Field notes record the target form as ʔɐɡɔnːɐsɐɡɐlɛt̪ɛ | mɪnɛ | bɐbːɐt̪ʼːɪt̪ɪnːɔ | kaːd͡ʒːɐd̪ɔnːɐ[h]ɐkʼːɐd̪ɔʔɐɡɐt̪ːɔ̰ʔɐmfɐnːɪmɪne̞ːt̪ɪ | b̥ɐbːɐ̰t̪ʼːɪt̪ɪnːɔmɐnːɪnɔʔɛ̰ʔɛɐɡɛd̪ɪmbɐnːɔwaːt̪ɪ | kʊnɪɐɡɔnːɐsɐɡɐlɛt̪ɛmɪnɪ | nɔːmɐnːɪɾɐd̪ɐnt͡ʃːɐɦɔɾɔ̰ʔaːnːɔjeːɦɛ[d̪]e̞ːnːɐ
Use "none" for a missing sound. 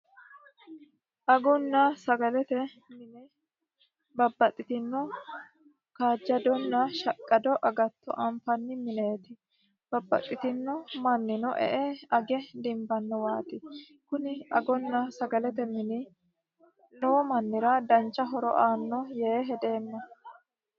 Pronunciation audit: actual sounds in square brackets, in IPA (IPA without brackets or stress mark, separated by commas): ʃ, d̪